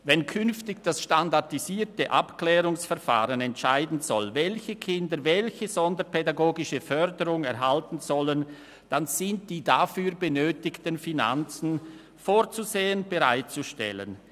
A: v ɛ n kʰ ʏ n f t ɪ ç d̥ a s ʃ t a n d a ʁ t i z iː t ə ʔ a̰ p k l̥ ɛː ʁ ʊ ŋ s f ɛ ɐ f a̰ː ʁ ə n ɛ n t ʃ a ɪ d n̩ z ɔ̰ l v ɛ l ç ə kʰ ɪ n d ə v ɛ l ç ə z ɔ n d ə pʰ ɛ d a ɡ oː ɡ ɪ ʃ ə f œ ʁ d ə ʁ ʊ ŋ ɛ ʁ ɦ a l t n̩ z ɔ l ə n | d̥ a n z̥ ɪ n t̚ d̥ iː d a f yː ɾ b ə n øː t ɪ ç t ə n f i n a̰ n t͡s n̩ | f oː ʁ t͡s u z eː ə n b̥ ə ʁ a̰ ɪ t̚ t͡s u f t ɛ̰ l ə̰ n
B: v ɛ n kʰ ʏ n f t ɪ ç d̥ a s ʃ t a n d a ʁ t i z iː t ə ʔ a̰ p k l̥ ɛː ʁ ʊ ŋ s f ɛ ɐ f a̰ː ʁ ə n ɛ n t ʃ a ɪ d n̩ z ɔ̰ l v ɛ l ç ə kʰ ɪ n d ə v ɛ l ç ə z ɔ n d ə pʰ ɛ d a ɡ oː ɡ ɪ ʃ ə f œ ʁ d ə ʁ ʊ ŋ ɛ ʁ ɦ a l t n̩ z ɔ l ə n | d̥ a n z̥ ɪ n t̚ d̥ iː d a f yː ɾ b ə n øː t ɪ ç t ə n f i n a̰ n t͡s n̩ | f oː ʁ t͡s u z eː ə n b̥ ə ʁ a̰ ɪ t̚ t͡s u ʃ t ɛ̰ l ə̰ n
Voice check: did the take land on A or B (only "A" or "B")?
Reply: B